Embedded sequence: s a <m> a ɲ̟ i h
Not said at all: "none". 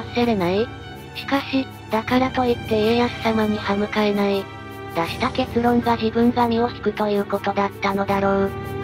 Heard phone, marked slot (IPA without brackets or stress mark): m